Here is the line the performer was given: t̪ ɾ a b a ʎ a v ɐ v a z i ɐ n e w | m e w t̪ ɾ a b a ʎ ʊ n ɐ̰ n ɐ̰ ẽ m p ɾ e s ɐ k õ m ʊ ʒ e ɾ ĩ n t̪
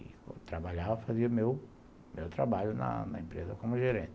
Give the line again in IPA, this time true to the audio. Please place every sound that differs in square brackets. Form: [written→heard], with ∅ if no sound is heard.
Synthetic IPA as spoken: t̪ ɾ a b a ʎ a v ɐ [v→f] a z i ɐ [n→m] e w | m e w t̪ ɾ a b a ʎ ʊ n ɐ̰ n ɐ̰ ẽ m p ɾ e [s→z] ɐ k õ m ʊ ʒ e ɾ [ĩ→ẽ] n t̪